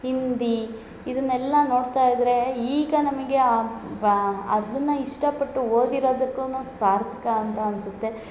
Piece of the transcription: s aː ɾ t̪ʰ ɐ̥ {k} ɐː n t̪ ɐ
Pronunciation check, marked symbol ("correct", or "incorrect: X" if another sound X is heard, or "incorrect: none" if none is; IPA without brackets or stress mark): correct